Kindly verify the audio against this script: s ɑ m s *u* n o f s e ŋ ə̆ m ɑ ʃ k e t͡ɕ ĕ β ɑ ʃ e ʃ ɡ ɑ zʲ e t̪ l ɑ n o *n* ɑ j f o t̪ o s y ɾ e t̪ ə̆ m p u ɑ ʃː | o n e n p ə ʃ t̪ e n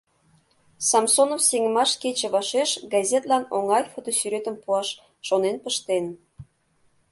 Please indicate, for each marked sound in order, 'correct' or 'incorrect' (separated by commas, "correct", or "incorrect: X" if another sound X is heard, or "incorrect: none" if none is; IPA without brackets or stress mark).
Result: incorrect: o, incorrect: ŋ